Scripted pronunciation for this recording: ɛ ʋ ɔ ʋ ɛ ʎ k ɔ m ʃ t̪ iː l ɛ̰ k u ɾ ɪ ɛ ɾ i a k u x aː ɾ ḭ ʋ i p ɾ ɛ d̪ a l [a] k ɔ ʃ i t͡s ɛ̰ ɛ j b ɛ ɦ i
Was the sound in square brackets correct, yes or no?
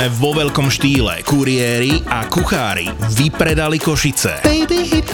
no